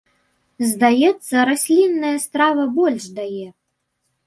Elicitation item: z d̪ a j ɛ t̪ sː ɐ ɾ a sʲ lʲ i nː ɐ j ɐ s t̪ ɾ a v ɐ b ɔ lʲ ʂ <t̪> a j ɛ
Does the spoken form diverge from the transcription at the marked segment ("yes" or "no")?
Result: yes